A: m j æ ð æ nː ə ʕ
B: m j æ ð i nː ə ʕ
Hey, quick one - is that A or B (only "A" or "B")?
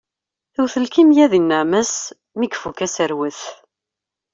B